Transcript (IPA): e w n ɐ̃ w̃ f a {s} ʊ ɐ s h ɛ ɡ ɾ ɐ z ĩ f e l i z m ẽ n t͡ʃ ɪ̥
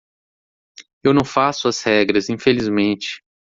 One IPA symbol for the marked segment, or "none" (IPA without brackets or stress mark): s